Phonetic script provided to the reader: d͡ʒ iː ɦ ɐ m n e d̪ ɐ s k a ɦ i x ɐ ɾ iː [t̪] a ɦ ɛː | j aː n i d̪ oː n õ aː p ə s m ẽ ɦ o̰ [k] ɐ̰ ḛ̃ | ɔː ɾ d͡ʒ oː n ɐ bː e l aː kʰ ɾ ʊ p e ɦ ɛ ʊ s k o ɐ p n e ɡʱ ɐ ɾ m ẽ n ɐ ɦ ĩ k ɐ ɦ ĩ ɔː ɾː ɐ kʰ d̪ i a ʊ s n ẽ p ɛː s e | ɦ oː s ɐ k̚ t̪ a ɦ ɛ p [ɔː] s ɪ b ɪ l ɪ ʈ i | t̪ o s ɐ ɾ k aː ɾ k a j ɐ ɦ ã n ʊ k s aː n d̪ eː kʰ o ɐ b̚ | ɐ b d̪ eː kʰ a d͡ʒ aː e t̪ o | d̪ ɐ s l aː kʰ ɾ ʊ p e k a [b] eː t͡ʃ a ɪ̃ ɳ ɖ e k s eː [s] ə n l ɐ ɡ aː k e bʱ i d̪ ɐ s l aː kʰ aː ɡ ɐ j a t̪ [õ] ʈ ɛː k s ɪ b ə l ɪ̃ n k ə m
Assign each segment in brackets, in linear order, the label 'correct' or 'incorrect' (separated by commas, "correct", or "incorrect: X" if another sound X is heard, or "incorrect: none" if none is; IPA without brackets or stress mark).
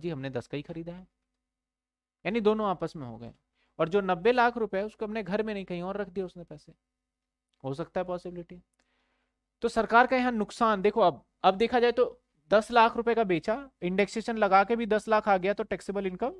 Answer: incorrect: d̪, incorrect: ɡ, correct, correct, incorrect: ʃ, incorrect: o